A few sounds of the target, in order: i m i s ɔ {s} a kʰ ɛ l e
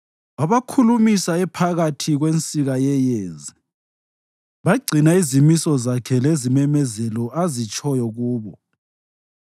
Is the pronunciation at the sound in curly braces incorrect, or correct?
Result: incorrect